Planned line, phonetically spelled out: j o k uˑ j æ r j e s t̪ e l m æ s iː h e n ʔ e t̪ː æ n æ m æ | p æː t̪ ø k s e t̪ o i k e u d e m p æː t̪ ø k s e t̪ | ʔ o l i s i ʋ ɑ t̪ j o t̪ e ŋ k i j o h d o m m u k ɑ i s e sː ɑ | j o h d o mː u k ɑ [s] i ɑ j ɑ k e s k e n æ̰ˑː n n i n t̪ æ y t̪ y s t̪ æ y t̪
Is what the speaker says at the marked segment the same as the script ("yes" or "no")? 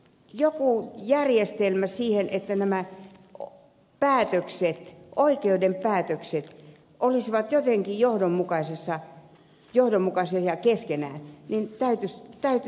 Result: yes